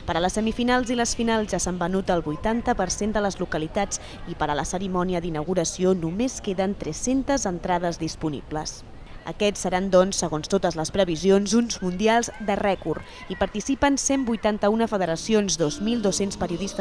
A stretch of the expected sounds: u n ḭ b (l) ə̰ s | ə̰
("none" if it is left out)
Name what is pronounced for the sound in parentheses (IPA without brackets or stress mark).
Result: l